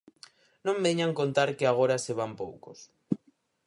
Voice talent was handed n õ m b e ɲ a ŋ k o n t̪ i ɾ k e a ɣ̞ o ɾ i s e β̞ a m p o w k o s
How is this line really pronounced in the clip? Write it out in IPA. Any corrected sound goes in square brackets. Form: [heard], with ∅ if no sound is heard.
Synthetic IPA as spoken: n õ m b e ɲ a ŋ k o n t̪ [a] ɾ k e a ɣ̞ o ɾ [a] s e β̞ a m p o w k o s